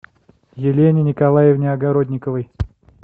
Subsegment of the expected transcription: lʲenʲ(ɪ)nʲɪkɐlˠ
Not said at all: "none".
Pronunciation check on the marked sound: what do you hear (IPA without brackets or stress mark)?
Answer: ɪ